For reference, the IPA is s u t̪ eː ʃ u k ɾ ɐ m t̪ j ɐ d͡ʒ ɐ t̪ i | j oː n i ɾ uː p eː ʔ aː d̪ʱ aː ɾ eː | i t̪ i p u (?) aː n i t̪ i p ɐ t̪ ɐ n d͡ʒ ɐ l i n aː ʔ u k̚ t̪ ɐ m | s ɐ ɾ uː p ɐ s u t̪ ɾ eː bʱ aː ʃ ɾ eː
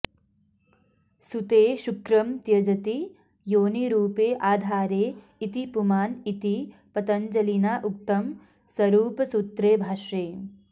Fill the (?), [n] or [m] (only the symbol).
m